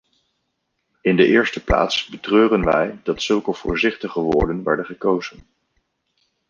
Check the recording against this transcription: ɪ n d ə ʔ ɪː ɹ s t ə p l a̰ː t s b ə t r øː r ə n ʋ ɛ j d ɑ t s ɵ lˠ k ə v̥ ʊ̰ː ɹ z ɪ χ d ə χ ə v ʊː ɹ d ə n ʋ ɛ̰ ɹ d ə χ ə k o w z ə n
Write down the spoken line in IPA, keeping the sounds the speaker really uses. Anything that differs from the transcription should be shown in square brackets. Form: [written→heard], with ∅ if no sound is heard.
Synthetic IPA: ɪ n d ə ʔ ɪː ɹ s t ə p l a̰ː t s b ə t r øː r ə n ʋ ɛ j d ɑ t s ɵ lˠ k ə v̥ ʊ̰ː ɹ z ɪ χ [d→t] ə χ ə [v→ʋ] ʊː ɹ d ə n ʋ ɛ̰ ɹ d ə χ ə k o w z ə n